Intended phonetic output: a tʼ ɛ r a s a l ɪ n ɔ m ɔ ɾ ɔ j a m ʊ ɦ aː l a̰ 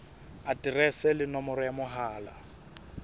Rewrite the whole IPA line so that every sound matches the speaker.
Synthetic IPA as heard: a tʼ i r ɛ s ɛ l ɪ n ɔ m ɔ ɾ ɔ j a m ʊ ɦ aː l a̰

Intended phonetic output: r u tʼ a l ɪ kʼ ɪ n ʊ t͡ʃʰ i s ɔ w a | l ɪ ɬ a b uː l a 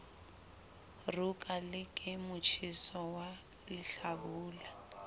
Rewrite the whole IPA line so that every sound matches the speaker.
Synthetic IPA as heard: r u kʼ a l ɪ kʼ ɪ m ʊ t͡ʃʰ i s ɔ w a | l ɪ ɬ a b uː l a

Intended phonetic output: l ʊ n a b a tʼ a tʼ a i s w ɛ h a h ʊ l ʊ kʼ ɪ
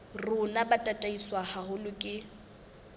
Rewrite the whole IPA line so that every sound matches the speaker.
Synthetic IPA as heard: r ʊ n a b a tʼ a tʼ a i s w a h a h ʊ l ʊ kʼ ɪ

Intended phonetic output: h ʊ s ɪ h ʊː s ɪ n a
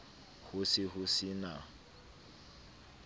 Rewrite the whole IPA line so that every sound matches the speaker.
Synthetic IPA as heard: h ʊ s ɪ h ʊ s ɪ n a

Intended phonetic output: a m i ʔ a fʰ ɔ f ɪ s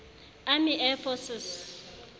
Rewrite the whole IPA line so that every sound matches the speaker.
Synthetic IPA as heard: a m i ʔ ɛ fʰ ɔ s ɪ s

